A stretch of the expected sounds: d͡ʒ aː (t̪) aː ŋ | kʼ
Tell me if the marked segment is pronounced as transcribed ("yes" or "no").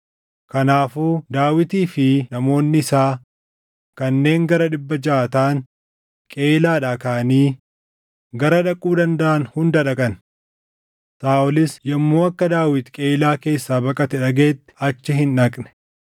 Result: yes